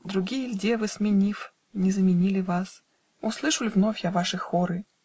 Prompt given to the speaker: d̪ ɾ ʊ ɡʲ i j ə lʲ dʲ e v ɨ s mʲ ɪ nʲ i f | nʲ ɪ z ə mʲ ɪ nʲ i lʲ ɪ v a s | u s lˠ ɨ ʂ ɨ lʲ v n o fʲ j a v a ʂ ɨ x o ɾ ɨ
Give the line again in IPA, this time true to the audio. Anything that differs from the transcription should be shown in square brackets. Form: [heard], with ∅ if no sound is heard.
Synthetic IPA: d̪ ɾ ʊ ɡʲ i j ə lʲ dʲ e v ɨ s mʲ ɪ nʲ i f | nʲ ɪ z ə mʲ ɪ nʲ i lʲ ɪ v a s | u s lˠ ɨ ʂ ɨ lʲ v n o fʲ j a v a ʂ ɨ x o ɾ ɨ